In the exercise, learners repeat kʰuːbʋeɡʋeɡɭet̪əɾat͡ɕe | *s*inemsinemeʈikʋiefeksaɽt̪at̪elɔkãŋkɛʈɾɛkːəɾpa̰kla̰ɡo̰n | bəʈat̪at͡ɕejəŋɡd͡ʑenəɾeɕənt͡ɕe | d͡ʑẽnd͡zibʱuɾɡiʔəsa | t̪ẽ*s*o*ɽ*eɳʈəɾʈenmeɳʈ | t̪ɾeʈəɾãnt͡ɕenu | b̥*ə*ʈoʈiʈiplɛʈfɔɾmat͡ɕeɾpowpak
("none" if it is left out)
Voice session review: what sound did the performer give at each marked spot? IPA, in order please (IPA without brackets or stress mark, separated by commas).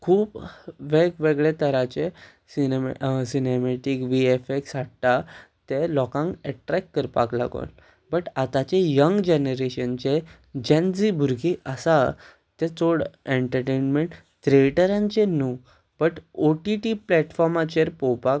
s, t͡s, ɽ, ə